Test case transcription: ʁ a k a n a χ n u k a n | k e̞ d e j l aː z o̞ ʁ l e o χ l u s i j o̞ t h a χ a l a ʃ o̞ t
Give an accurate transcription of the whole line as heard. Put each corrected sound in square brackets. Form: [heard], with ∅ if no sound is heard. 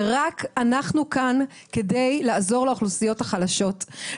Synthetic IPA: ʁ a k a n a χ n u k a n | k e̞ d e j l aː z o̞ ʁ l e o χ l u s i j o̞ t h a χ a l a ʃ o̞ t